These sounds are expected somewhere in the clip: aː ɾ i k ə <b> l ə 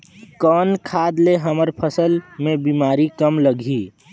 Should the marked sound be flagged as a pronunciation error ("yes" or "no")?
yes